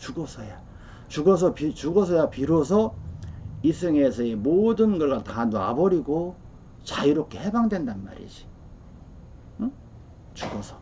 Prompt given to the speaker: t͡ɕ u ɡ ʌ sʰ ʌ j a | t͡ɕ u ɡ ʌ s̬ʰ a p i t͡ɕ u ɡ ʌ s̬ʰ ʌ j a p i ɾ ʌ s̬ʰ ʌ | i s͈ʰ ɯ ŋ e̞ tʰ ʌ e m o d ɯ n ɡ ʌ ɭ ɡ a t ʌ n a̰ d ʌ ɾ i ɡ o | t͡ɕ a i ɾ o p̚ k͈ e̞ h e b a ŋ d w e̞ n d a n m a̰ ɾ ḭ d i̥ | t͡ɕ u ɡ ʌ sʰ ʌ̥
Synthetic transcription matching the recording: t͡ɕ u ɡ ʌ sʰ ʌ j a | t͡ɕ u ɡ ʌ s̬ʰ ʌ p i t͡ɕ u ɡ ʌ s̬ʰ ʌ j a p i ɾ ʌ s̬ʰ ʌ | i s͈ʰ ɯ ŋ e̞ sʰ ʌ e m o d ɯ n ɡ ʌ ɭ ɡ a t a n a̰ b ʌ ɾ i ɡ o | t͡ɕ a i ɾ o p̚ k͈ e̞ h e b a ŋ d w e̞ n d a n m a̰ ɾ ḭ d͡ʑ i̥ | t͡ɕ u ɡ ʌ sʰ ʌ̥